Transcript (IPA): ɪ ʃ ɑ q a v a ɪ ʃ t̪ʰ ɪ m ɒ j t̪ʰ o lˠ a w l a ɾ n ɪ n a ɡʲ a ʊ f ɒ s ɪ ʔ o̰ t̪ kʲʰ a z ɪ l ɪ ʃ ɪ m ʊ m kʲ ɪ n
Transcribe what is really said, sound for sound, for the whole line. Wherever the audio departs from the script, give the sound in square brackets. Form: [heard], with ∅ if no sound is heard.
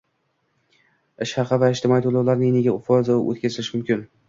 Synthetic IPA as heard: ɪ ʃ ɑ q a v a ɪ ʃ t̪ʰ ɪ m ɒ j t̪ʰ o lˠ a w l a ɾ n ɪ n [e] ɡʲ a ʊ f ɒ [z] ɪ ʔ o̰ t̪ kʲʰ a z ɪ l ɪ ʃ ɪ m ʊ m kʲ ɪ n